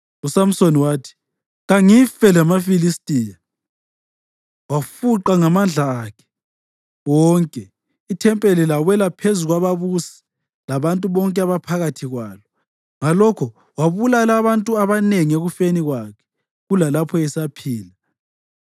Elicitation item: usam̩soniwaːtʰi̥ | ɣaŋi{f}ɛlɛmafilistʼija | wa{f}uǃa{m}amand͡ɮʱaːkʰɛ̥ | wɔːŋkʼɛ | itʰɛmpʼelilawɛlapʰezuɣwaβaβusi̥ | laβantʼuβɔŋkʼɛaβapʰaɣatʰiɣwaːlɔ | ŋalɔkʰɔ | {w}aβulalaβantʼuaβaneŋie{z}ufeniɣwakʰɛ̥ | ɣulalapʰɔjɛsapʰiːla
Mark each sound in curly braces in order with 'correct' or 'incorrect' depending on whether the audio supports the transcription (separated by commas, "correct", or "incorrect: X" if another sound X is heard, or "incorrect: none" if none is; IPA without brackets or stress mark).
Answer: correct, correct, incorrect: ŋ, correct, incorrect: ɣ